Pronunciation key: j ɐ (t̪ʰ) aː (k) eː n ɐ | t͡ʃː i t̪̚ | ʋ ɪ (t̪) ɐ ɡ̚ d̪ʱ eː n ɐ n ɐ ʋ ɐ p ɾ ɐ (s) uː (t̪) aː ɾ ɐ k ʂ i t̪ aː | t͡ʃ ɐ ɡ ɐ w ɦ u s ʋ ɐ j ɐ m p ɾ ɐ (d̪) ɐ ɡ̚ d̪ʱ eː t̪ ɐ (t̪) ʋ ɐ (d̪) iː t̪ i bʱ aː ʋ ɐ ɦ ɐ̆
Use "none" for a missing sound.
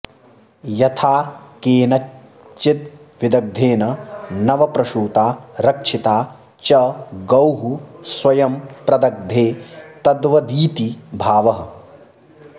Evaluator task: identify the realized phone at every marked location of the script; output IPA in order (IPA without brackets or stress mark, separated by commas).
t̪ʰ, k, d̪, ʃ, t̪, d̪, d̪, d̪